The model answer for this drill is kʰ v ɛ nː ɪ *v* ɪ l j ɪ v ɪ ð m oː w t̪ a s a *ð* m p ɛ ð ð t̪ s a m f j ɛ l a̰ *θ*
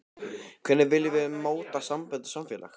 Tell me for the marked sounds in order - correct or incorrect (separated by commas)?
correct, incorrect, incorrect